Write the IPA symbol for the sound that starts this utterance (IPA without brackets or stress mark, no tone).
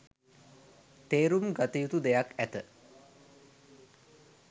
t̪